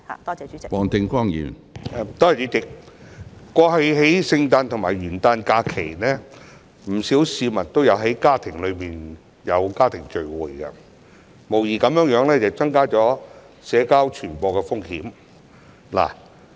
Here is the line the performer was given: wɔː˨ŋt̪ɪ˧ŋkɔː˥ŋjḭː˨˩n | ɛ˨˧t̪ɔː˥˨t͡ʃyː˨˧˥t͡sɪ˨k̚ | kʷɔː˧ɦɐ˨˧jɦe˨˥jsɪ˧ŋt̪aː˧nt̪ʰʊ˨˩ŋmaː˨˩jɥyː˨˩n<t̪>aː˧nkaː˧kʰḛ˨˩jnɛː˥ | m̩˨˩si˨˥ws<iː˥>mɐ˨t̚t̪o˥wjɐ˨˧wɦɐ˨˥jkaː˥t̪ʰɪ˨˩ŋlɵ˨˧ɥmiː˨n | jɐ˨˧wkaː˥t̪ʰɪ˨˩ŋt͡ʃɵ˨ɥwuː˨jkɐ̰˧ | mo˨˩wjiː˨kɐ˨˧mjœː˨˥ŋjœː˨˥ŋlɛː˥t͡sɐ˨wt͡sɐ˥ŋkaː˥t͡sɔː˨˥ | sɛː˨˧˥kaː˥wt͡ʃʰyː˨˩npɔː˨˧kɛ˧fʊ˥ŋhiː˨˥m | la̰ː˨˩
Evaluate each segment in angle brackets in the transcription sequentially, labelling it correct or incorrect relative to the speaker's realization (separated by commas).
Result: correct, incorrect